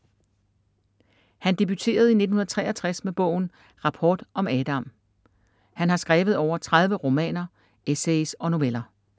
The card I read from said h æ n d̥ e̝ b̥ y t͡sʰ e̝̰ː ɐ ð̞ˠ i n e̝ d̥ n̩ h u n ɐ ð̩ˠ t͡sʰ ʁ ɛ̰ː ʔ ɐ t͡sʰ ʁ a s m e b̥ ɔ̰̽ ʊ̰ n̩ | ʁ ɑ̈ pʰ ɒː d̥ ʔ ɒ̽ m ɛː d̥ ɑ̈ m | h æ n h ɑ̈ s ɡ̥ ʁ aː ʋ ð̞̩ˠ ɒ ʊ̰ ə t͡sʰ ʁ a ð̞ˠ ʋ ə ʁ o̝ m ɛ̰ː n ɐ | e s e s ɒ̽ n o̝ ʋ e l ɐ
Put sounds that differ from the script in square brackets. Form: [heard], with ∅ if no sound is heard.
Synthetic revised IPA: h æ n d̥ e̝ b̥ y t͡sʰ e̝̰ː ɐ ð̞ˠ i n e̝ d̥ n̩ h u n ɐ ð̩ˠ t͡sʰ ʁ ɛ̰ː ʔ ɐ t͡sʰ ʁ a s m e b̥ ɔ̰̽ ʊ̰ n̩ | ʁ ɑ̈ pʰ ɒː d̥ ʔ ɒ̽ m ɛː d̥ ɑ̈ m | h æ n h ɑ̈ s ɡ̥ ʁ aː ʋ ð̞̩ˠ ɒ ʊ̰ [ɐ] t͡sʰ ʁ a ð̞ˠ ʋ ə ʁ o̝ m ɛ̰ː n ɐ | e s e s ɒ̽ n o̝ ʋ e l ɐ

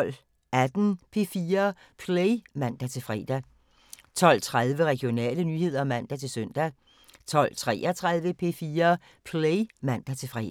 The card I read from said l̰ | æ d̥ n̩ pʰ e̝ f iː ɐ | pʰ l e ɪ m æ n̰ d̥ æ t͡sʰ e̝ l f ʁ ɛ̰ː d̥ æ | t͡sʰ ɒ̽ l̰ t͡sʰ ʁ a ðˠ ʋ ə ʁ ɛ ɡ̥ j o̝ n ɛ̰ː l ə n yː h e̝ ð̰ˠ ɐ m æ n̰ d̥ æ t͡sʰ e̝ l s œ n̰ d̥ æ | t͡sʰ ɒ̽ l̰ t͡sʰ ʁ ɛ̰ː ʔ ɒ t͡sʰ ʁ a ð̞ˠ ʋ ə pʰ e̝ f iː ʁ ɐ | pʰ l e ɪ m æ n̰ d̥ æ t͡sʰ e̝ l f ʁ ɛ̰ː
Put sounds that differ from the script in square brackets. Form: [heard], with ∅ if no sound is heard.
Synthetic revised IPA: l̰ | æ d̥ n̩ pʰ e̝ f iː ɐ | pʰ l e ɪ m æ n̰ d̥ æ t͡sʰ e̝ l f ʁ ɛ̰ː d̥ æ | t͡sʰ ɒ̽ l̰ t͡sʰ ʁ a ðˠ ʋ ə ʁ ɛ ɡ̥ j o̝ n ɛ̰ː l ə n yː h e̝ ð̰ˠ ɐ m æ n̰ d̥ æ t͡sʰ e̝ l s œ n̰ d̥ æ | t͡sʰ ɒ̽ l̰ t͡sʰ ʁ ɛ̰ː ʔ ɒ t͡sʰ ʁ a ð̞ˠ ʋ ə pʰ e̝ f iː [∅] ɐ | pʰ l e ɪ m æ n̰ d̥ æ t͡sʰ e̝ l f ʁ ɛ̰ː

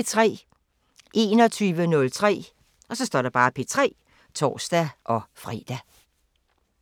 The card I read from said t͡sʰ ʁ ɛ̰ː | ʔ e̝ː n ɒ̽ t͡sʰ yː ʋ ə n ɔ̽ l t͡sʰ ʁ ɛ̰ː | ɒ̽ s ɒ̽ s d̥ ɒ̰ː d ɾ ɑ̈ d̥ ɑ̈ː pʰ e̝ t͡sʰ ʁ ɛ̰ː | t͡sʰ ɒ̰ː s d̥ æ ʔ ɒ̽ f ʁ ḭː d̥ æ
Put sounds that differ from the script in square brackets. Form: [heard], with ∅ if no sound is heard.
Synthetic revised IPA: t͡sʰ ʁ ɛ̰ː | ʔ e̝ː n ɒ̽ t͡sʰ yː ʋ ə n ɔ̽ l t͡sʰ ʁ ɛ̰ː | ɒ̽ s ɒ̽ s d̥ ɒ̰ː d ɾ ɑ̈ [b̥] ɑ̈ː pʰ e̝ t͡sʰ ʁ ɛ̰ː | t͡sʰ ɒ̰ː s d̥ æ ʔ ɒ̽ f ʁ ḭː d̥ æ

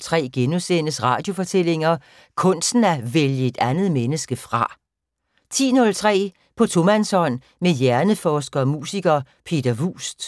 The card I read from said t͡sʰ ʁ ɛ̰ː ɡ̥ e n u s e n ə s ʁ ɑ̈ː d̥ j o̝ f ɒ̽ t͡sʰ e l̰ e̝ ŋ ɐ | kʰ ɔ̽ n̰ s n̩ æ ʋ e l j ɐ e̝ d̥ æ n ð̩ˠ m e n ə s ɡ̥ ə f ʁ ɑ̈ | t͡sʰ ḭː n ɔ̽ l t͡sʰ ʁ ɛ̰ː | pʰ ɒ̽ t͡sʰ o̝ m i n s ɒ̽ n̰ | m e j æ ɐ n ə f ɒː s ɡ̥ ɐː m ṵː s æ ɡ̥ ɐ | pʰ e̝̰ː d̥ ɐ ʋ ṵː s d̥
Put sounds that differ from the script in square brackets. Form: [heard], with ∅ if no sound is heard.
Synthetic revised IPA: t͡sʰ ʁ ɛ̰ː ɡ̥ e n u s e n ə s ʁ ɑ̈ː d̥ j o̝ f ɒ̽ t͡sʰ e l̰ e̝ ŋ ɐ | kʰ ɔ̽ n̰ s n̩ æ ʋ e l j [ə] e̝ d̥ æ n ð̩ˠ m e n ə s ɡ̥ ə f ʁ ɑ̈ | t͡sʰ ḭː n ɔ̽ l t͡sʰ ʁ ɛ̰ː | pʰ ɒ̽ t͡sʰ o̝ m [æ] n s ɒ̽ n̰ | m e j æ ɐ n ə f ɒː s ɡ̥ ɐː m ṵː s [i] ɡ̥ ɐ | pʰ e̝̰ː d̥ ɐ ʋ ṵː s d̥

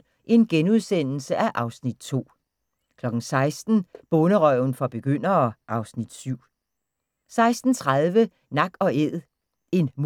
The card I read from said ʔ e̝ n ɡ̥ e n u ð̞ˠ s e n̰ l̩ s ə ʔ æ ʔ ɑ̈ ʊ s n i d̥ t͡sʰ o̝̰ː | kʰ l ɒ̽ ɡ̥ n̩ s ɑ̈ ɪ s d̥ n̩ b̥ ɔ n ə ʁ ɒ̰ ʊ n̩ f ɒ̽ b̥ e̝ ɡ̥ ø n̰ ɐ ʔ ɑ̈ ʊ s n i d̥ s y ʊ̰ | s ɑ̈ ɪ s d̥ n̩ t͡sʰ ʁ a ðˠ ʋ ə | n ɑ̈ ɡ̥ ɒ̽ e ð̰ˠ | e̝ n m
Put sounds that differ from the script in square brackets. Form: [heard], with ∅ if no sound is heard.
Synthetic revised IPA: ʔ e̝ n ɡ̥ e n u ð̞ˠ s e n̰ l̩ s ə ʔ æ ʔ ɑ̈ ʊ s n i d̥ t͡sʰ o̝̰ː | kʰ l ɒ̽ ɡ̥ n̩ s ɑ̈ ɪ s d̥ n̩ b̥ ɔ n ə ʁ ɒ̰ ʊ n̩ f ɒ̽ b̥ e̝ ɡ̥ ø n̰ ɐ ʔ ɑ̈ ʊ s n i d̥ s y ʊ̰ | s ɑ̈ ɪ s d̥ n̩ t͡sʰ ʁ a ðˠ ʋ ə | n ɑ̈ ɡ̥ ɒ̽ e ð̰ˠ | e̝ n m

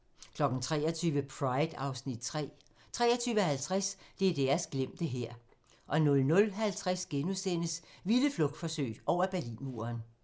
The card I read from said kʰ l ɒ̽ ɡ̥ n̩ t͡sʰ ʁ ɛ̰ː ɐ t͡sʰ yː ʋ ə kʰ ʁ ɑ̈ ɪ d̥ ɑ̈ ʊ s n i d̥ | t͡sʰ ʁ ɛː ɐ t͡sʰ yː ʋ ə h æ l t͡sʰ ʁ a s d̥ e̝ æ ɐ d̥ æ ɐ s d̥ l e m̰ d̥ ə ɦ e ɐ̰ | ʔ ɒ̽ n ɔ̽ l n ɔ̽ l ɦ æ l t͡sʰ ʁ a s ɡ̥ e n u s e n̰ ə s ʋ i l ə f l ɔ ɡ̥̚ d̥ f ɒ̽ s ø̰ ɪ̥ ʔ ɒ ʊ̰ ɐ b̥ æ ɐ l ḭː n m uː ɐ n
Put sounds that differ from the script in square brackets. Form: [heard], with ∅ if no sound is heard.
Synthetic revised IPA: kʰ l ɒ̽ ɡ̥ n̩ t͡sʰ ʁ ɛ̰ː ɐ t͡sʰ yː ʋ ə [pʰ] ʁ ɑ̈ ɪ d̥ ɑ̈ ʊ s n i d̥ | t͡sʰ ʁ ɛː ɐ t͡sʰ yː ʋ ə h æ l t͡sʰ ʁ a s d̥ e̝ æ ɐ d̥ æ ɐ s [ɡ̥] l e m̰ d̥ ə ɦ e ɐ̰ | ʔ ɒ̽ n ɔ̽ l n ɔ̽ l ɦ æ l t͡sʰ ʁ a s ɡ̥ e n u s e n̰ ə s ʋ i l ə f l ɔ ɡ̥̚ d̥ f ɒ̽ s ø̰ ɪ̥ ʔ ɒ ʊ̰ ɐ b̥ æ ɐ l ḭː n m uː ɐ n

